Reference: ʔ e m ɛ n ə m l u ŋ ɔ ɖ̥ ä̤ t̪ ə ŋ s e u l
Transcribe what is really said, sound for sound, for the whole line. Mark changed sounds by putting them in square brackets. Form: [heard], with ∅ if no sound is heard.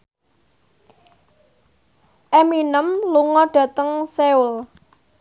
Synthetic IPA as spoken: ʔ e m [i] n ə m l u ŋ ɔ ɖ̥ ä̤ t̪ ə ŋ s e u l